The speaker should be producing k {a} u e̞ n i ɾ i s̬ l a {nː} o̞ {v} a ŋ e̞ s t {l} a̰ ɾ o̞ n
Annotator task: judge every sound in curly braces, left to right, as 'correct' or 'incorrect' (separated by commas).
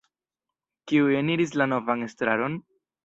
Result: incorrect, incorrect, correct, incorrect